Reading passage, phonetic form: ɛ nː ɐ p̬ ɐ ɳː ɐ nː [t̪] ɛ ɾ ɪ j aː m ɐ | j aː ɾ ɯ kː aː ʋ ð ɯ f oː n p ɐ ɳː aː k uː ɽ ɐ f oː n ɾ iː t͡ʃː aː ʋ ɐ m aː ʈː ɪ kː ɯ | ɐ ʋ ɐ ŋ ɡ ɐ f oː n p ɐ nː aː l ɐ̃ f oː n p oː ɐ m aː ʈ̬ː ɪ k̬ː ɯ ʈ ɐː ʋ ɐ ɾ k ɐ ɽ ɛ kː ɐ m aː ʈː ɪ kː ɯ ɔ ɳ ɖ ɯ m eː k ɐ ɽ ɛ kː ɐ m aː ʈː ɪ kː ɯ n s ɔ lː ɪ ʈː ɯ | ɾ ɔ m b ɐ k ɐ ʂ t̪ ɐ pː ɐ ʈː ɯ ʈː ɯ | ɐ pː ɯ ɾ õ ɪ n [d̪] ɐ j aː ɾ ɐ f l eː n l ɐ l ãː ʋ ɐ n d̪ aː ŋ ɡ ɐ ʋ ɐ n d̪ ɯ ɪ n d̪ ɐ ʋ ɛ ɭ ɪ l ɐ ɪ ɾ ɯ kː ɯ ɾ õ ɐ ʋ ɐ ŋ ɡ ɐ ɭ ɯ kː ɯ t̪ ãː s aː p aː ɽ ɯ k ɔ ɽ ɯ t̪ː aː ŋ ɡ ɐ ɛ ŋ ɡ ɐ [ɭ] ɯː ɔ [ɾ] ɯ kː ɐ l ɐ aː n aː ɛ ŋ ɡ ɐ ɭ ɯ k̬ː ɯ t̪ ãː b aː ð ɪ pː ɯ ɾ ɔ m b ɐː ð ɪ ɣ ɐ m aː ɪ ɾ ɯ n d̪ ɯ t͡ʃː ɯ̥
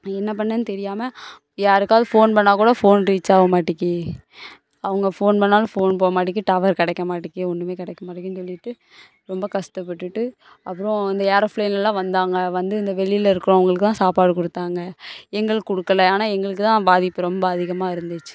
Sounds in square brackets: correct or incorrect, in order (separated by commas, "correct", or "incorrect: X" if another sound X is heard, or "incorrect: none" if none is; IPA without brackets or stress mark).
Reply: correct, correct, correct, incorrect: ɽ